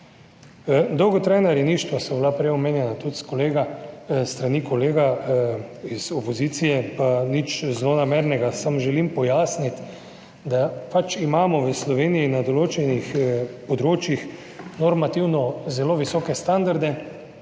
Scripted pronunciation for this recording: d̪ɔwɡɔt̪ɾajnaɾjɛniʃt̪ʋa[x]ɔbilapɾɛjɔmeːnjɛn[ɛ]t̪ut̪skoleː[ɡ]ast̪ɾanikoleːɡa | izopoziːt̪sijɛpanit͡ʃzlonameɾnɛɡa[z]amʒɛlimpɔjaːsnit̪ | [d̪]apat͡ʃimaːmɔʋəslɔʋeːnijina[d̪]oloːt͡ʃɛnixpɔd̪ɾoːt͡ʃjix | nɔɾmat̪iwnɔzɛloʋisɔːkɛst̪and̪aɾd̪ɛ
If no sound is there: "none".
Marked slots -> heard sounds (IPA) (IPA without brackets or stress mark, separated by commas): s, a, ɡ, s, d̪, d̪